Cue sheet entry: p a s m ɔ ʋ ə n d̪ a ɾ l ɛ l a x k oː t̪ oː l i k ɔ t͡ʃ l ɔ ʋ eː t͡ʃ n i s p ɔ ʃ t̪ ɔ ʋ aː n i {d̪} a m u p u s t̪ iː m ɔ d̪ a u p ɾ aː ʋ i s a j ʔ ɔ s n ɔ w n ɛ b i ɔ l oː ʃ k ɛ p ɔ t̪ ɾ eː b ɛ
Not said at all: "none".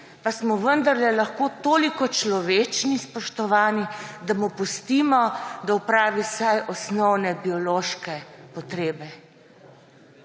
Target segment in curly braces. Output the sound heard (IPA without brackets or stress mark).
d̪